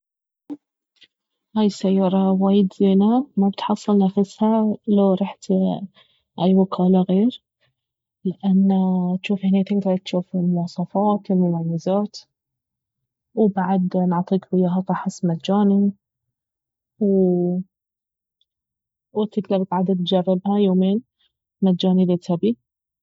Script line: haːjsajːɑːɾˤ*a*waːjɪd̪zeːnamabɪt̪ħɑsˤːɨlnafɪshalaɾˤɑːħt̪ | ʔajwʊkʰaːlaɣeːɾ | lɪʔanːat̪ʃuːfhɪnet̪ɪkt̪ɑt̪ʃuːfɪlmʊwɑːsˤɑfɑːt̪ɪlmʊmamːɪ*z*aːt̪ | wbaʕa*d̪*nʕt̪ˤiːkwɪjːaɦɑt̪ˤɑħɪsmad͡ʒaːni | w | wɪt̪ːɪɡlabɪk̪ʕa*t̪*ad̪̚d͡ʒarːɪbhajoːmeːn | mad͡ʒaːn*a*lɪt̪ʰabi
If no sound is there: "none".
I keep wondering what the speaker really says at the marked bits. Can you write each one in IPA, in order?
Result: ɑ, z, d̪, d̪, i

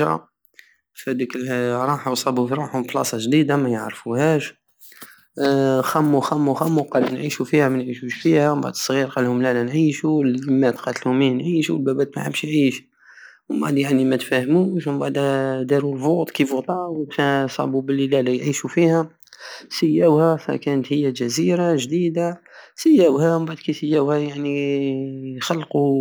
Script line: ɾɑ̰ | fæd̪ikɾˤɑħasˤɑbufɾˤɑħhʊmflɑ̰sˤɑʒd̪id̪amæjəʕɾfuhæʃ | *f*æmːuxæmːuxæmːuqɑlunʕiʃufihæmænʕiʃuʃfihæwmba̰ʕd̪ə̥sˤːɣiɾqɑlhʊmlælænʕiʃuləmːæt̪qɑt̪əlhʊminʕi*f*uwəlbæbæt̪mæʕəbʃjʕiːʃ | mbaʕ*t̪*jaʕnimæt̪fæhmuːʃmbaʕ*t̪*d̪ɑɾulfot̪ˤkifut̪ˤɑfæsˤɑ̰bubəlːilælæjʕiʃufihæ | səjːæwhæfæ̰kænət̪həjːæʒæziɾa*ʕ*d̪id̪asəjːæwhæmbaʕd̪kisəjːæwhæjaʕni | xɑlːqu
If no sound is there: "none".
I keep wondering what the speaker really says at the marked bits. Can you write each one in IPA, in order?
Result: x, ʃ, d̪, d̪, ʒ

